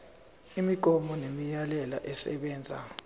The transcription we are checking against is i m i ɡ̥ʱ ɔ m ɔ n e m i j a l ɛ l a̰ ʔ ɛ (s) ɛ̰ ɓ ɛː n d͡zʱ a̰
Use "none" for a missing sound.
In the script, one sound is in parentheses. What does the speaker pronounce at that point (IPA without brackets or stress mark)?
s